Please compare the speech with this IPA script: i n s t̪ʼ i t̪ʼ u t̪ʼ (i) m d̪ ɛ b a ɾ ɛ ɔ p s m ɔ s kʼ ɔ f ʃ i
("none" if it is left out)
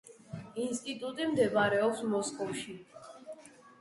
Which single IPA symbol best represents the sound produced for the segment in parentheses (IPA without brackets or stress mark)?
i